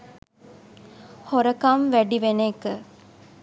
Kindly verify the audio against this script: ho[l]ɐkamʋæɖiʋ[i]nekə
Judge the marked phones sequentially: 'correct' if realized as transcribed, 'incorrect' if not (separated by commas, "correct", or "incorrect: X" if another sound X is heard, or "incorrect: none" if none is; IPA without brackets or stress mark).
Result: incorrect: ɾ, incorrect: e